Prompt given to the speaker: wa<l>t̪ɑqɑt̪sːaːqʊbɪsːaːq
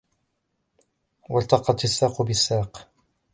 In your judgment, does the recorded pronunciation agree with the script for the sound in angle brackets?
yes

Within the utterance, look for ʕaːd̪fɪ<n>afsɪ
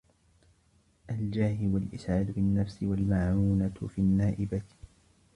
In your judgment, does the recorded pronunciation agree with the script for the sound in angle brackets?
no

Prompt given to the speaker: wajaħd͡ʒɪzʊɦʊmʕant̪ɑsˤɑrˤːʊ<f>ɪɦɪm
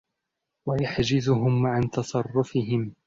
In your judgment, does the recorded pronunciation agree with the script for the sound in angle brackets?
yes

